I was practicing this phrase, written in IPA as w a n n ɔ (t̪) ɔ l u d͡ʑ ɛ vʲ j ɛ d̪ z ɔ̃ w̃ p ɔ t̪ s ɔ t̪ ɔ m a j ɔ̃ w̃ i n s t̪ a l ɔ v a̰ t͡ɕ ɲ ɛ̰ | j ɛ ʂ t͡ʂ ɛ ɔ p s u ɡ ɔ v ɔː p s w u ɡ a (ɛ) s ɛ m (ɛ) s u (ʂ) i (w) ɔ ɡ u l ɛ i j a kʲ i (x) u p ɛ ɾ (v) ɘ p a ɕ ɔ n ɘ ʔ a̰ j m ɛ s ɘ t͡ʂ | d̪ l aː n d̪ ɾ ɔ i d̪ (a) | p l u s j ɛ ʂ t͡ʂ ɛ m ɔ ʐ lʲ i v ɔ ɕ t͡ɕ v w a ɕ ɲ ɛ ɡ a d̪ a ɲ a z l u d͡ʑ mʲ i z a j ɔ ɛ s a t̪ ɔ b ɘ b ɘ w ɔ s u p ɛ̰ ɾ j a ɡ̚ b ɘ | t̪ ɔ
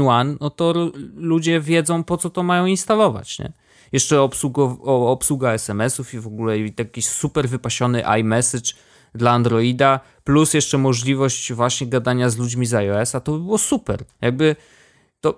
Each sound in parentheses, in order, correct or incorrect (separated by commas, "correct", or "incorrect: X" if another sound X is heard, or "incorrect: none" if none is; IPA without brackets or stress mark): correct, correct, correct, incorrect: f, incorrect: v, incorrect: s, correct, correct